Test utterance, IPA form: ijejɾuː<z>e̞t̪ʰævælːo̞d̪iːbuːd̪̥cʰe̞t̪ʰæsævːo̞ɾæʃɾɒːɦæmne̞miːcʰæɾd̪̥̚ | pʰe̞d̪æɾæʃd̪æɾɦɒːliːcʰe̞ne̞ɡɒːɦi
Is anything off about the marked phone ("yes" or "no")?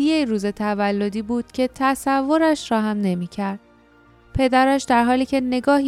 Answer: no